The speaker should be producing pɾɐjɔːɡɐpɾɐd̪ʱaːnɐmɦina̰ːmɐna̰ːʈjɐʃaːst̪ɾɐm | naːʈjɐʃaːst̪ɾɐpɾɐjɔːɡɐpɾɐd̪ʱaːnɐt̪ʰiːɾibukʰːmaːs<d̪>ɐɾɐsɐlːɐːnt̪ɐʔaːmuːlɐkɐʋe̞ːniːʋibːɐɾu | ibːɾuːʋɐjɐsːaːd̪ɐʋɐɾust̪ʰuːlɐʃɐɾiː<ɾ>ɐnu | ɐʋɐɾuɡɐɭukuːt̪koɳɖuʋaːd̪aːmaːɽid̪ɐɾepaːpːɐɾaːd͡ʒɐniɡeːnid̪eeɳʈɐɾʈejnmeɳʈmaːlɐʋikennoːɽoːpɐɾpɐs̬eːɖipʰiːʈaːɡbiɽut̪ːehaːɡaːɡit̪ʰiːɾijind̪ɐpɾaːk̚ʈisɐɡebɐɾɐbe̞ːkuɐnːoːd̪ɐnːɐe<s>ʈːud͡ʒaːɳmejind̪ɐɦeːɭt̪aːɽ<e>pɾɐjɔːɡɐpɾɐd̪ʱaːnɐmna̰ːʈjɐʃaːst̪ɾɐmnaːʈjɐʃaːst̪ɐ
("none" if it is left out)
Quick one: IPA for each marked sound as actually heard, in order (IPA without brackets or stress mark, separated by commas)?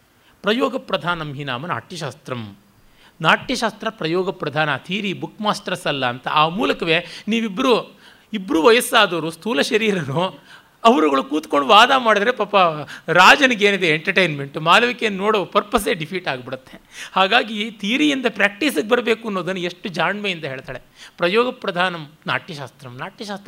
t̪, ɾ, ʂ, e